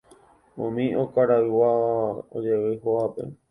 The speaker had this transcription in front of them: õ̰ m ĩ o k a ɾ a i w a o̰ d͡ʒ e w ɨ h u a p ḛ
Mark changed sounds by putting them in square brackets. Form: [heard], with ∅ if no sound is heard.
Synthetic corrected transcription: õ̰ m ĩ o k a ɾ a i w a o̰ d͡ʒ e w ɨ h [o] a p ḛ

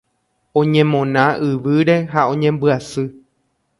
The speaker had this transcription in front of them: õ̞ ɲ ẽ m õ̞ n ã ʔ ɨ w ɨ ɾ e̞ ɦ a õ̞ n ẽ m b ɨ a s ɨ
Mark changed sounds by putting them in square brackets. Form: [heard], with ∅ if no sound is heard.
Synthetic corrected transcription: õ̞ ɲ ẽ m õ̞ n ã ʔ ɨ [ʋ] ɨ ɾ e̞ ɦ a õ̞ [ɲ] ẽ m b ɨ a s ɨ

